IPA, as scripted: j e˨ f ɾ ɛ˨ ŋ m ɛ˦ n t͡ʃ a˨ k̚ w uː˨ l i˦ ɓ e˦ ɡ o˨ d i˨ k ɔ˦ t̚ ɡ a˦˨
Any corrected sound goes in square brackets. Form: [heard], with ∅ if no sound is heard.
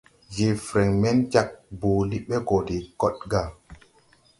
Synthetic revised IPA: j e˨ f ɾ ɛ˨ ŋ m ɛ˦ n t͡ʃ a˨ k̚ [b] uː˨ l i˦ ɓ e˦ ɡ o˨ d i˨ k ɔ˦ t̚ ɡ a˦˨